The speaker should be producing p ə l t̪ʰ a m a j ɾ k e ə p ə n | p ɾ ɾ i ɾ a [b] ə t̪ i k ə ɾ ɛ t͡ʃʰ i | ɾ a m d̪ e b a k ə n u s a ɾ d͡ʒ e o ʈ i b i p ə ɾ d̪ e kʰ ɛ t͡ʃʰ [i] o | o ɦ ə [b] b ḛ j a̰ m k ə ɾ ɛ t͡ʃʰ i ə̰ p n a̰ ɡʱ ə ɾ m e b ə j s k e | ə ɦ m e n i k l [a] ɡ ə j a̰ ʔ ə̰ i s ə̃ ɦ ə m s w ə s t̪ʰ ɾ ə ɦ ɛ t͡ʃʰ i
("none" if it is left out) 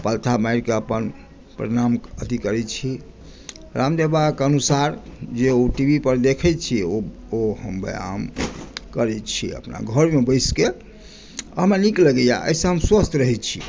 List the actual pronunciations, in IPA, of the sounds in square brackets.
m, i, m, ə

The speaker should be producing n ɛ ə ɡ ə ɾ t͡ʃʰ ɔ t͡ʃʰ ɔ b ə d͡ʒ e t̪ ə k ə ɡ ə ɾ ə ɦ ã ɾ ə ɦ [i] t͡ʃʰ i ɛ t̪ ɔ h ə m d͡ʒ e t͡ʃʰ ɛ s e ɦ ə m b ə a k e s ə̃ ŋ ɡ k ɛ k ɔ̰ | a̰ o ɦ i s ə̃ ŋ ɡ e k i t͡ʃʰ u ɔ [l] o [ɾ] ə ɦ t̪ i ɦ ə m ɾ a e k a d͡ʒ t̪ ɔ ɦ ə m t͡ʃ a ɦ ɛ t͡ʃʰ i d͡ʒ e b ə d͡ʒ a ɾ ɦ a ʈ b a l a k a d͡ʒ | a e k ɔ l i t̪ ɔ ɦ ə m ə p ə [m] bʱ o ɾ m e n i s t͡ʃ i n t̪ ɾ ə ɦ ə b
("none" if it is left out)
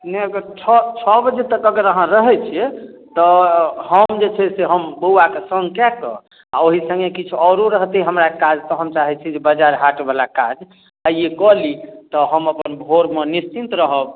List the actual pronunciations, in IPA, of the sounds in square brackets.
ɛ, ɾ, ɾ, n

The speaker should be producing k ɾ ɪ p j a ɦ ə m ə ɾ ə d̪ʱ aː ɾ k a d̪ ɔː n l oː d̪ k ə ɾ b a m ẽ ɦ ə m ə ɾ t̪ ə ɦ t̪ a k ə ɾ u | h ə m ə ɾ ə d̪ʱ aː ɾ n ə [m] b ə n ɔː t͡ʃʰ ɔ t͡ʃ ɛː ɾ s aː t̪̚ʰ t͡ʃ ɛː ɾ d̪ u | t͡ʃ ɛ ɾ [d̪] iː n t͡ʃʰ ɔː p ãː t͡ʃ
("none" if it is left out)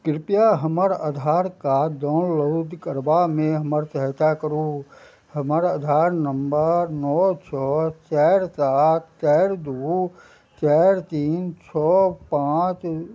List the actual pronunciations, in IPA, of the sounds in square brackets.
m, t̪

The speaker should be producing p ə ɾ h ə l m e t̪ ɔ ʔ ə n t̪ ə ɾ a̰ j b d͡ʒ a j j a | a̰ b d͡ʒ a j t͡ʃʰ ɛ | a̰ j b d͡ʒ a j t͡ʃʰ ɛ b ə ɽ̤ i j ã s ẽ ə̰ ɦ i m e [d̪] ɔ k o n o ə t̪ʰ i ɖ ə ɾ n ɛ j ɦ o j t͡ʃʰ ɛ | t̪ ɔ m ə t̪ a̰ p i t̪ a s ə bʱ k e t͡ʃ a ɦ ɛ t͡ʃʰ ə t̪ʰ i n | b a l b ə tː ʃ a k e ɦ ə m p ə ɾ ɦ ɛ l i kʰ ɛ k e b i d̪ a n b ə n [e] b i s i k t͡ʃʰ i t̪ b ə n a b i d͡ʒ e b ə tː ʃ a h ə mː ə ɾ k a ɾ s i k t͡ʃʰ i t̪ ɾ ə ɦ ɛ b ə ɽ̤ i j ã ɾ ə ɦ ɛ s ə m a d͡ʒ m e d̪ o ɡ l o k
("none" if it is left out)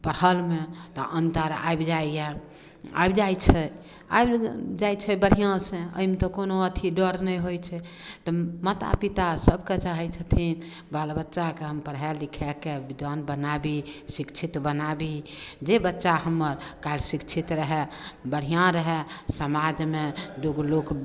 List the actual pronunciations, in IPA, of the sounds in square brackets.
t̪, a

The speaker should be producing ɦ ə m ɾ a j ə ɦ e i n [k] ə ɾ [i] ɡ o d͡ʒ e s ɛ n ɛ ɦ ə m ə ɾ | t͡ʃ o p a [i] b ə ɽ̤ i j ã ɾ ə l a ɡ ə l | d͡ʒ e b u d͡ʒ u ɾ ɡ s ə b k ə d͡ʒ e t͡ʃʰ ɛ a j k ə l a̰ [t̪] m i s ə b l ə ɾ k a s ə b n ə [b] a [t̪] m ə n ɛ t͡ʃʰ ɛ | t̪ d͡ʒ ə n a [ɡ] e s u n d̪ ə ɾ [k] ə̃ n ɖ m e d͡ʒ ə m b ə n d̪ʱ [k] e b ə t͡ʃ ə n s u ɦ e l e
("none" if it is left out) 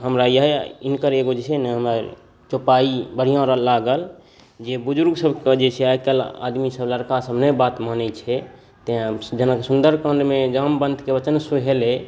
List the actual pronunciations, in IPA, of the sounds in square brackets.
k, e, i, d̪, b, t̪, k, k, k

